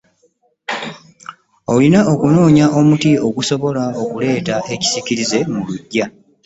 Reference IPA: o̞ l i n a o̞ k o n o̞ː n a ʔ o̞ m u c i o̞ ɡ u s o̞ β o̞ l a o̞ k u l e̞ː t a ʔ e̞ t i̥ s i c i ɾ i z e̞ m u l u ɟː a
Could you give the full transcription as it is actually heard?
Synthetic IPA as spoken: o̞ l i n a o̞ k u n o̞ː ɲ a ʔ o̞ m u t i o̞ ɡ u s o̞ β o̞ l a o̞ k u l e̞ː t a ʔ e̞ c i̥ s i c i ɾ i z e̞ m u l u ɟː a

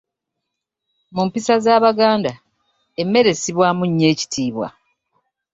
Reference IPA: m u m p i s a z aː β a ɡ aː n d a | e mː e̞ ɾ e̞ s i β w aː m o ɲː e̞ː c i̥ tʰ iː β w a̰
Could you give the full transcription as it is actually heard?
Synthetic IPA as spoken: m u m p i s a z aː β a ɡ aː n d a | e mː e̞ ɾ e̞ s i β w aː m u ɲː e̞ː c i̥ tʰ iː β w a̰

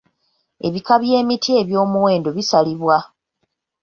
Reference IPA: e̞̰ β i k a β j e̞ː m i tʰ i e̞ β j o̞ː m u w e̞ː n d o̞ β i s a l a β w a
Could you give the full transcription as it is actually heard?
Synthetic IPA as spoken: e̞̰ β i k a β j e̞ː m i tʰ i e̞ β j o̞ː m u w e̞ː n d o̞ β i s a l i β w a

